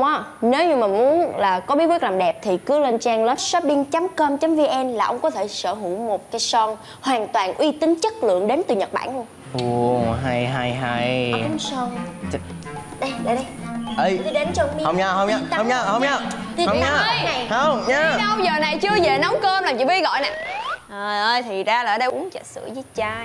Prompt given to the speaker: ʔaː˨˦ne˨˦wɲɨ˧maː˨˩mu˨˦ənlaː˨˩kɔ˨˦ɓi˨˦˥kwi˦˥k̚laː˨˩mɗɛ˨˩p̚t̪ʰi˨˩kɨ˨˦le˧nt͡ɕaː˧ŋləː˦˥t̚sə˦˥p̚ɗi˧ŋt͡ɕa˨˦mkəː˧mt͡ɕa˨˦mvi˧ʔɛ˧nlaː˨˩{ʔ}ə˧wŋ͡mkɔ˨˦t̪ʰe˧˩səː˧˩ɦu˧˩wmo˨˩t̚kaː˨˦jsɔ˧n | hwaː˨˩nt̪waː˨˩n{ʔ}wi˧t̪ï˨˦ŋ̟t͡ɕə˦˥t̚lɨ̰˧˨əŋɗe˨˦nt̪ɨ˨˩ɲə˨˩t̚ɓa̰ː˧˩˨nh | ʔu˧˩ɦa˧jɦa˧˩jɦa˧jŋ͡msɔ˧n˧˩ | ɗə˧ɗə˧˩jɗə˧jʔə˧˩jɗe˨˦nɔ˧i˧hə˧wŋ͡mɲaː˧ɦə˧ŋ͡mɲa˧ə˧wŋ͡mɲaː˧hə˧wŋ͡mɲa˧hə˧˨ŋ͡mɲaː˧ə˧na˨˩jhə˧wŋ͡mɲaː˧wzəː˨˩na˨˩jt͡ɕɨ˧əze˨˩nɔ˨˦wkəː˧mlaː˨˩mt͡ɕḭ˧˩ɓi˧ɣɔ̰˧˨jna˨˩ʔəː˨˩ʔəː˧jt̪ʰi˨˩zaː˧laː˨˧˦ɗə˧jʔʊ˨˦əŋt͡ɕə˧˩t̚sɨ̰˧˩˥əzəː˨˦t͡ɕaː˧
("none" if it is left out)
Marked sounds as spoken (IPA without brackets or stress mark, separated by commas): ʔ, ʔ